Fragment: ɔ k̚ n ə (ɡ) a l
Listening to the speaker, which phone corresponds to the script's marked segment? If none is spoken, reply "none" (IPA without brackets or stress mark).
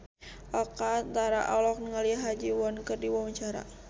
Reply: ŋ